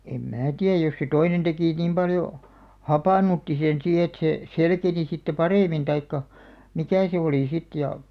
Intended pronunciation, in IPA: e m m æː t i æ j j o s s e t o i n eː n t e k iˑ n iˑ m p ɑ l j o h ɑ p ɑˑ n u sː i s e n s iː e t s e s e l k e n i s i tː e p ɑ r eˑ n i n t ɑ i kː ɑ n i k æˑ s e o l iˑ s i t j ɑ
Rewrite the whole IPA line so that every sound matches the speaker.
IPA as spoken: e m m æː t i æ j j o s s e t o i n e n t e k iˑ n iˑ m p ɑ l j o h ɑ p ɑˑ n u tː i s e n s iː e t s e s e l k e n i s i tː e p ɑ r eˑ m i n t ɑ i kː ɑ m i k æˑ s e o l iˑ s i t j ɑ